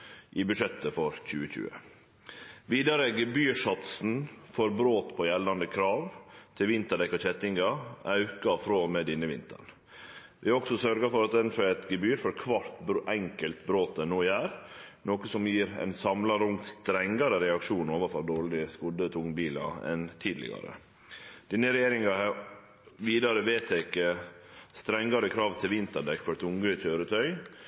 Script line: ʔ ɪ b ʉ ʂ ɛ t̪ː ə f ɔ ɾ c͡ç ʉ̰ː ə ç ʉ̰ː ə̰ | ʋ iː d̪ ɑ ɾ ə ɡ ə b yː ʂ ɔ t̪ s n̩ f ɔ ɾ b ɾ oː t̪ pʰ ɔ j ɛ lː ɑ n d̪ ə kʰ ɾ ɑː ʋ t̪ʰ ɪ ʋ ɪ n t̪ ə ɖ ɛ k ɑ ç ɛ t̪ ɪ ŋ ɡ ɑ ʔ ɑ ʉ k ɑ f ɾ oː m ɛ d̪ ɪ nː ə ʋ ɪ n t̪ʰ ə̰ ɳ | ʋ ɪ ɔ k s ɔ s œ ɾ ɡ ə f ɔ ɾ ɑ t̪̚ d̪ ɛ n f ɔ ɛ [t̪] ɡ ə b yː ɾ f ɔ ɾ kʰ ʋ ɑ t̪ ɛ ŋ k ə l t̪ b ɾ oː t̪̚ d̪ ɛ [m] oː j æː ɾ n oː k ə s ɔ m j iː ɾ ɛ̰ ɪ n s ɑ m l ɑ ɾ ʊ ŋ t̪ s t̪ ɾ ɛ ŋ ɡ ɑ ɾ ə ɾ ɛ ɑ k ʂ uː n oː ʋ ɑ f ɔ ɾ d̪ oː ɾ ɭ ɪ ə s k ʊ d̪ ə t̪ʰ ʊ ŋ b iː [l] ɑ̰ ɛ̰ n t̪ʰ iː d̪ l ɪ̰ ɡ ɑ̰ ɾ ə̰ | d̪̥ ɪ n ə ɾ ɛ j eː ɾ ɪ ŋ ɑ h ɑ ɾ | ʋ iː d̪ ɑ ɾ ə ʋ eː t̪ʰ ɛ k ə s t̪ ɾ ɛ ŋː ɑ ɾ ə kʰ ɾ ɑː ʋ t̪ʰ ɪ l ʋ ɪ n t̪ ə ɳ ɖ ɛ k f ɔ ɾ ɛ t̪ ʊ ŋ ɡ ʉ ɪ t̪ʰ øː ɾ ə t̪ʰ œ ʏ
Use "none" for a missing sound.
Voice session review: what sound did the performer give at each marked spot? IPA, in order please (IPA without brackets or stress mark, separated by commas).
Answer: t̪, n, l